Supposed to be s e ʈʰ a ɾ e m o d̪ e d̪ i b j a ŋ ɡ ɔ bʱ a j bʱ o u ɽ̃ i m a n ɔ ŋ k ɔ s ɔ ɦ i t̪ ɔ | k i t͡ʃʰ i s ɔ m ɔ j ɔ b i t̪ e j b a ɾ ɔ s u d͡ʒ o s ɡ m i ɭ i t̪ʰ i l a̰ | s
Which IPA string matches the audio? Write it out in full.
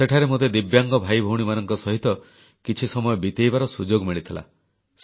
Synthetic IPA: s e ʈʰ a ɾ e m o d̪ e d̪ i b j a ŋ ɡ ɔ bʱ a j bʱ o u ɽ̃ i m a n ɔ ŋ k ɔ s ɔ ɦ i t̪ ɔ | k i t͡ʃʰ i s ɔ m ɔ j ɔ b i t̪ e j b a ɾ ɔ s u d͡ʒ o ɡ m i ɭ i t̪ʰ i l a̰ | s